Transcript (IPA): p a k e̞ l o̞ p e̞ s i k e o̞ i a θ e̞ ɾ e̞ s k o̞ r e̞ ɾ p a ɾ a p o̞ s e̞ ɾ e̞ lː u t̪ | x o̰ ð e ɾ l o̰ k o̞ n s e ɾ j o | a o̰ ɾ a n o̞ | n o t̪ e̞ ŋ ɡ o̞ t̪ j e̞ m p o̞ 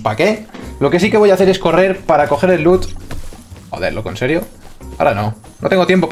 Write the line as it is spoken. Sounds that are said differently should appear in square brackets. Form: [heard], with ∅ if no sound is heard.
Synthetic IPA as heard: p a k e̞ l o̞ [k] e̞ s i k e o̞ [j] a θ e̞ ɾ e̞ s k o̞ r e̞ ɾ p a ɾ a [k] o̞ [x] e̞ ɾ e̞ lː u t̪ | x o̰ ð e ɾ l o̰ k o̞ n s e ɾ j o | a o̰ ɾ a n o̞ | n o t̪ e̞ ŋ ɡ o̞ t̪ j e̞ m p o̞